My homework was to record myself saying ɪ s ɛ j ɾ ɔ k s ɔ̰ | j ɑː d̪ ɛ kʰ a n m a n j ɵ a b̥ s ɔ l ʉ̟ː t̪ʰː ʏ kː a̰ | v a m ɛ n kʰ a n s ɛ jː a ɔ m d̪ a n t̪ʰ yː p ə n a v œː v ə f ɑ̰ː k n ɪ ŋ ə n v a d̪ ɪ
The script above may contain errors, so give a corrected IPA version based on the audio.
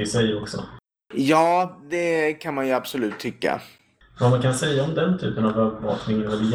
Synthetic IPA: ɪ s ɛ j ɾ ɔ k s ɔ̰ | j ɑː d̪ ɛ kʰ a n m a n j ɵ a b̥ s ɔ l ʉ̟ː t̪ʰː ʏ kː a̰ | v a m a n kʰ a n s ɛ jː a ɔ m d̪ ɛ n t̪ʰ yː p ə n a v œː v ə v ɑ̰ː k n ɪ ŋ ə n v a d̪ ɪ